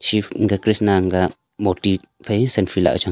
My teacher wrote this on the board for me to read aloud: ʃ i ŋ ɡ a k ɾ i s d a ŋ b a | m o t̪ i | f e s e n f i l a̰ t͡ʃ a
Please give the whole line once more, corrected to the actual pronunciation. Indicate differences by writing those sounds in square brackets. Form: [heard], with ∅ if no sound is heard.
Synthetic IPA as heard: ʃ i ŋ ɡ a k ɾ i s [n] a ŋ [ɡ] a | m o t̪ i | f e s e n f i l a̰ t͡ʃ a